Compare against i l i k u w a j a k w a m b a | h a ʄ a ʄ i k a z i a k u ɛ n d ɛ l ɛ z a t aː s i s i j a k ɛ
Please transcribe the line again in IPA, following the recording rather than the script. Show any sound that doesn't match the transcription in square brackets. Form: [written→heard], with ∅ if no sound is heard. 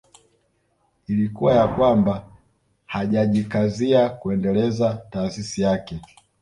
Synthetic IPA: i l i k u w a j a k w a m b a | h a ʄ a ʄ i k a z i a k u ɛ n d ɛ l ɛ z a t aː s i s i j a k ɛ